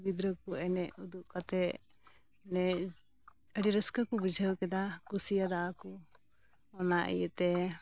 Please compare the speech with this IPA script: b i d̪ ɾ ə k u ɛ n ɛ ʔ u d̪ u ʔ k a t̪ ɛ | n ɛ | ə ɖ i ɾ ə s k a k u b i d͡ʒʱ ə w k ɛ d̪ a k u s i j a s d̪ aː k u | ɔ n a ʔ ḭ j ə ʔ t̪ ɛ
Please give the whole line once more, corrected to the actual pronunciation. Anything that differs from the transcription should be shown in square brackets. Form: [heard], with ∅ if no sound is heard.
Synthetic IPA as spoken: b i d̪ ɾ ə k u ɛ n ɛ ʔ u d̪ u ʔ k a t̪ ɛ | n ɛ | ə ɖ i ɾ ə s k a k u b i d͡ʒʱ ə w k ɛ d̪ a k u s i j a [∅] d̪ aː k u | ɔ n a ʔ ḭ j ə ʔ t̪ ɛ